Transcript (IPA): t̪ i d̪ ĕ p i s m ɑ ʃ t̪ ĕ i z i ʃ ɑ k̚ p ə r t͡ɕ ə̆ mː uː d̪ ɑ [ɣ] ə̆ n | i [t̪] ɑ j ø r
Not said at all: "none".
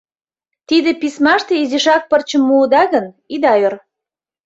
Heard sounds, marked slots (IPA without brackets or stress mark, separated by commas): ɣ, d̪